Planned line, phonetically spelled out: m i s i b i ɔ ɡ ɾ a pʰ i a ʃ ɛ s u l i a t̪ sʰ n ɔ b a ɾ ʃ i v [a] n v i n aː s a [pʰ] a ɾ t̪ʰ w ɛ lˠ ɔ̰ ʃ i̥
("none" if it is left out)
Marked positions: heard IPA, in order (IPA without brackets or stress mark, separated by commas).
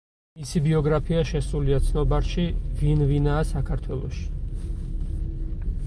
i, kʰ